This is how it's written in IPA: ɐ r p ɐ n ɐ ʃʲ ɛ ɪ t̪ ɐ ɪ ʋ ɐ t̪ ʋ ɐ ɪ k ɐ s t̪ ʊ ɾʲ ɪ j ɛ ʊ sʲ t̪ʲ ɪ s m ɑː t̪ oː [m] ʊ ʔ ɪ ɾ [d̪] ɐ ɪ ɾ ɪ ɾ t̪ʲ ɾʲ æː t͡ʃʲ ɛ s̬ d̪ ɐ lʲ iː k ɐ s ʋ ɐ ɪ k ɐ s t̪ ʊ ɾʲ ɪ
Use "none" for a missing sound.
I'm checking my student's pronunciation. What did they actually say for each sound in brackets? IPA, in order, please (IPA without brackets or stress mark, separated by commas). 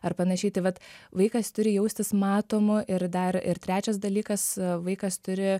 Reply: m, d̪